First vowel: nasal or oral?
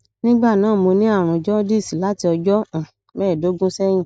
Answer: nasal